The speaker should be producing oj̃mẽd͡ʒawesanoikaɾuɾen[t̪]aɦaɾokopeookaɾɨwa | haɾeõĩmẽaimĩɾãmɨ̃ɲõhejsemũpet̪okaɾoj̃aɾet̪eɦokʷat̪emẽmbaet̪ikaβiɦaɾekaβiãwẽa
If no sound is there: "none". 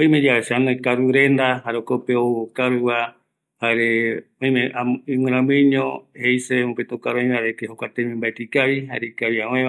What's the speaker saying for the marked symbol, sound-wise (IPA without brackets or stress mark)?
d̪